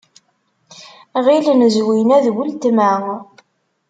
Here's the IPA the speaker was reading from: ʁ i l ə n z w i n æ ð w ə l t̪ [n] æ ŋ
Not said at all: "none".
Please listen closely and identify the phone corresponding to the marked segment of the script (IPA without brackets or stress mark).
m